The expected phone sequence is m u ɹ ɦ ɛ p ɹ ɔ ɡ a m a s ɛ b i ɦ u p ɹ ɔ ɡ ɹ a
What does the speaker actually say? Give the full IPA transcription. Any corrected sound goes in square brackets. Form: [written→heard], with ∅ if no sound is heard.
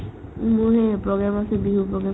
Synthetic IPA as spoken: m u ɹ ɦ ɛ p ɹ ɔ ɡ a m a s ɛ b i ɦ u p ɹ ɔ ɡ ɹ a